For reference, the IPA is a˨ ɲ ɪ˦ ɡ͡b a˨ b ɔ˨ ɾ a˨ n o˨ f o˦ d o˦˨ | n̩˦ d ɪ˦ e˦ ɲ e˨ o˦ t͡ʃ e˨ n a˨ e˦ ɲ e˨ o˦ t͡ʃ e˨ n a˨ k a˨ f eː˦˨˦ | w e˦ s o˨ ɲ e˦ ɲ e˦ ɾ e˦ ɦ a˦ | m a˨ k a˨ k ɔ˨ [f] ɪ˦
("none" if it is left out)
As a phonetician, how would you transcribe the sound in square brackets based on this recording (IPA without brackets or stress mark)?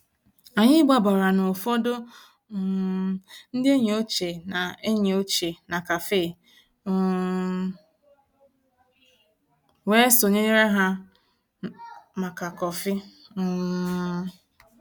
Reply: f